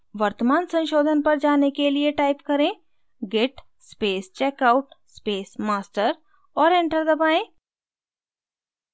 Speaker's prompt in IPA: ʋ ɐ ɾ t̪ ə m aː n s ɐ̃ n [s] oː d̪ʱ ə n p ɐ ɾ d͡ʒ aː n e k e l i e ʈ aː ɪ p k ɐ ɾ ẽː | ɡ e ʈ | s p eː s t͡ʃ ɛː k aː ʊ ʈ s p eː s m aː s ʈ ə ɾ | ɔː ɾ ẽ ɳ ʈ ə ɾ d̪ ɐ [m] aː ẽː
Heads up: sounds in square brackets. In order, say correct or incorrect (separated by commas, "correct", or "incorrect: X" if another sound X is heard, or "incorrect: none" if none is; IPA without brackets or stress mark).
incorrect: ʃ, incorrect: b